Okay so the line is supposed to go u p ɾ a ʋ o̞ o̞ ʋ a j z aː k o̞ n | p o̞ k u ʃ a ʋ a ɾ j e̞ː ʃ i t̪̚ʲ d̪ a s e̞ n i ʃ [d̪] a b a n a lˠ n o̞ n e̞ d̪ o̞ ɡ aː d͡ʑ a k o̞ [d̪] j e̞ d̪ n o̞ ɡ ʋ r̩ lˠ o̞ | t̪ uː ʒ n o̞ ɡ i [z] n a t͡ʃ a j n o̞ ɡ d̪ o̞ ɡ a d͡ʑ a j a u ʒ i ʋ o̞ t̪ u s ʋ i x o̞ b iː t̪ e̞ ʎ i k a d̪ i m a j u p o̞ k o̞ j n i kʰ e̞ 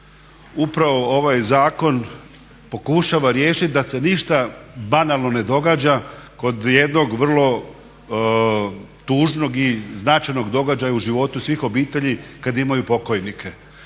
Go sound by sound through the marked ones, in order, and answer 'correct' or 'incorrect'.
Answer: incorrect: t̪, correct, correct

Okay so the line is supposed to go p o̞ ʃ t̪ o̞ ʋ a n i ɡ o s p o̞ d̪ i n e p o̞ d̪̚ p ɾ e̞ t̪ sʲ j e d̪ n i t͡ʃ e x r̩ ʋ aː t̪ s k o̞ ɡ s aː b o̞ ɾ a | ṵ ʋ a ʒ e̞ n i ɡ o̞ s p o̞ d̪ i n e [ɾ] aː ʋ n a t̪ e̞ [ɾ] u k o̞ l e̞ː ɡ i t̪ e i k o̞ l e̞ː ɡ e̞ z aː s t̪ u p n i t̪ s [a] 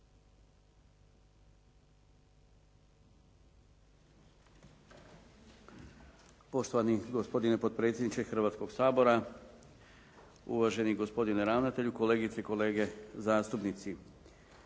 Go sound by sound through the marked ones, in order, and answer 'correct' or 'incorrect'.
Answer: correct, incorrect: ʎ, incorrect: i

